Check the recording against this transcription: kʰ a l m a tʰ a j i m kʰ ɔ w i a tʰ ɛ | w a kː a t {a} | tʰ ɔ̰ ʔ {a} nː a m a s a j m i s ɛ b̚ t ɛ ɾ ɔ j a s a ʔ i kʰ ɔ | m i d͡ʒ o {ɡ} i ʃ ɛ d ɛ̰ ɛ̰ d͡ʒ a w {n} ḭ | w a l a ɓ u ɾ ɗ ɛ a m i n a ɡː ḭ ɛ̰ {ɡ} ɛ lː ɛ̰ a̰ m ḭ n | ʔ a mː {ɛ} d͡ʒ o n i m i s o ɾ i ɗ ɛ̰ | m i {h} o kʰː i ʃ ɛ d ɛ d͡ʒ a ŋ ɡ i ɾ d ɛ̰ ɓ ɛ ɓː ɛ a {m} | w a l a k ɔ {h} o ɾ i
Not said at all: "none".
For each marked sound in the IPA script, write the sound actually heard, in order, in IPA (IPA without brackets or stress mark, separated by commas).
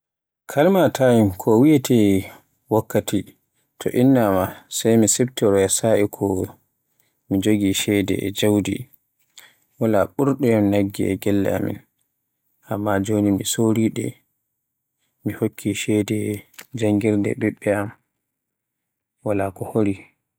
i, i, ɡ, d, ɡ, a, h, m, h